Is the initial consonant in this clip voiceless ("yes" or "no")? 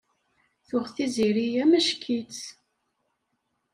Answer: yes